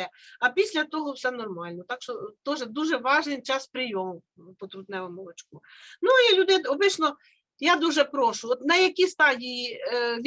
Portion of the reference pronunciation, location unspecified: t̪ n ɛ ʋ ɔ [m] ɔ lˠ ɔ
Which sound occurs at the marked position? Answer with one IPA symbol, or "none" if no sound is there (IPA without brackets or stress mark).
m